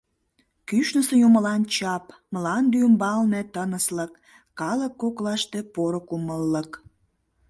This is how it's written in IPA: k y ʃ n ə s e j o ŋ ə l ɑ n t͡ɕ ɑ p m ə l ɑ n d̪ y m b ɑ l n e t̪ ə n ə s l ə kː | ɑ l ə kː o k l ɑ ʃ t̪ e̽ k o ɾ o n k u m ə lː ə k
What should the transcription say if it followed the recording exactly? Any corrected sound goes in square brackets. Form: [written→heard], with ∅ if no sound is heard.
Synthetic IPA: k y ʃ n ə s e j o [ŋ→m] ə l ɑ n t͡ɕ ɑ p m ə l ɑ n d̪ y m b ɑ l n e t̪ ə n ə s l ə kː | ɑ l ə kː o k l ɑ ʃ t̪ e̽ [k→p] o ɾ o [n→∅] k u m ə lː ə k